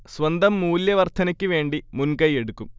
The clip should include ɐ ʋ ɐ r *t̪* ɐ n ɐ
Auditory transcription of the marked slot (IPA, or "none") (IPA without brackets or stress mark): t̪ʰ